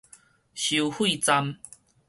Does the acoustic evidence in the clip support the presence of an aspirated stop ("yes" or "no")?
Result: no